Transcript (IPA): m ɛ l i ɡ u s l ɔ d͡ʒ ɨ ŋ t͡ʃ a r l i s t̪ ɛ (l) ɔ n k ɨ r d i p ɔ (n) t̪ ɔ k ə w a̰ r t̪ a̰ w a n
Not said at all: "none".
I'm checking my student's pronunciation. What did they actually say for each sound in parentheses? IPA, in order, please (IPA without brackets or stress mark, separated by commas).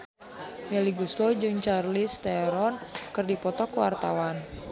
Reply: ɾ, none